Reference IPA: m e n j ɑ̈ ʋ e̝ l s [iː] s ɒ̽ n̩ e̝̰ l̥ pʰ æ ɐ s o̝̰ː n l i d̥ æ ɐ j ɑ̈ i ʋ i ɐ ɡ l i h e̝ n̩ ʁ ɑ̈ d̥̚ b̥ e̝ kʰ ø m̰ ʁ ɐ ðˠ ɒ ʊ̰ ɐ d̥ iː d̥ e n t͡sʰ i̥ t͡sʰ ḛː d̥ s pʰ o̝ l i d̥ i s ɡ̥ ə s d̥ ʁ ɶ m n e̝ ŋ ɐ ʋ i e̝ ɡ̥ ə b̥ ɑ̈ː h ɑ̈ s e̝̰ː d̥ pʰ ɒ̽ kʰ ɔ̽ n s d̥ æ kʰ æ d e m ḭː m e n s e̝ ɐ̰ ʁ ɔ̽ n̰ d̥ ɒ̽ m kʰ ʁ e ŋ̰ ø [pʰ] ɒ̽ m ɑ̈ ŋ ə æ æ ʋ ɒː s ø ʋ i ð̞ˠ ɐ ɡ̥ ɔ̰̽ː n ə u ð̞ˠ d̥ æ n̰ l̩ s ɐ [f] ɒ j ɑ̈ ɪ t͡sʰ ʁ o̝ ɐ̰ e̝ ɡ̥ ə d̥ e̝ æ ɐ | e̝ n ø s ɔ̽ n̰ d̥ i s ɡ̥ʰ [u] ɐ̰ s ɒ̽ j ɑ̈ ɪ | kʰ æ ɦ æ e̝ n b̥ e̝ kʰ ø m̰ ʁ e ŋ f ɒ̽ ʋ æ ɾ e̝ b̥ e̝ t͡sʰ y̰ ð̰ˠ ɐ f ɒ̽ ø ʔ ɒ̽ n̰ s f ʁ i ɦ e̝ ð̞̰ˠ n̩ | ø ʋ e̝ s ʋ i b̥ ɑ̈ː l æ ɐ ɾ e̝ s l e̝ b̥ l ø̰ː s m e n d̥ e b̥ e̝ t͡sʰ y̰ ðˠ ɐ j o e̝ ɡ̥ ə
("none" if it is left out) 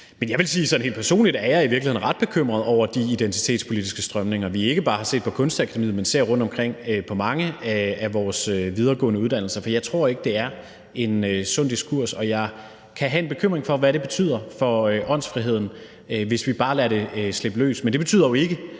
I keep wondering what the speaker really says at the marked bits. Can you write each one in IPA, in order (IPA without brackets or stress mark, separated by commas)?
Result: iː, pʰ, f, u